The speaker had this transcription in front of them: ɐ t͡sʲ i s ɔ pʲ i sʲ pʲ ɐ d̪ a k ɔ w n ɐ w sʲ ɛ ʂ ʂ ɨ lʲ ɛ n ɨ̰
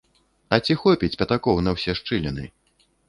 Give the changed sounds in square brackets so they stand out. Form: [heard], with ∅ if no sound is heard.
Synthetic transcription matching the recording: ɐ t͡sʲ i [x] ɔ pʲ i [t͡sʲ] pʲ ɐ [t̪] a k ɔ w n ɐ w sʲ ɛ ʂ [t͡ʂ] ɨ lʲ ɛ n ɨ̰